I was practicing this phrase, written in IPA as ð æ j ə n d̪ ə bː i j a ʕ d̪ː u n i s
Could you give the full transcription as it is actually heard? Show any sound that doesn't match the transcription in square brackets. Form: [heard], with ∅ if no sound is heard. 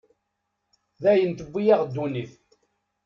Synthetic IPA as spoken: ð æ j ə n [t̪] ə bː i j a [ʁ] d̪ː u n i [θ]